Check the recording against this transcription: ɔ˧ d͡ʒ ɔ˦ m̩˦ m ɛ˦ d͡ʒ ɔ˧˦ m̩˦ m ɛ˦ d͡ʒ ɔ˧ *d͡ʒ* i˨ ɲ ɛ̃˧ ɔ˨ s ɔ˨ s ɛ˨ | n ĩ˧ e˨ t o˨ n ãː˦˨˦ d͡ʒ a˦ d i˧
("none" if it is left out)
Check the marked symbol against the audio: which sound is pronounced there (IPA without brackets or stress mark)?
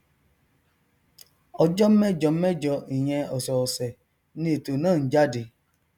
none